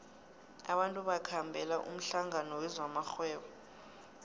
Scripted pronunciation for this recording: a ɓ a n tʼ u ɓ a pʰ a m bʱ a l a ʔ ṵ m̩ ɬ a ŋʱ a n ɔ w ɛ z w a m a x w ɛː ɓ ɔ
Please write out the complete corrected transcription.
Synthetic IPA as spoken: a ɓ a n tʼ u ɓ a kʰ a m bʱ ɛ l a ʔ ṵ m̩ ɬ a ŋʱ a n ɔ w ɛ z w a m a x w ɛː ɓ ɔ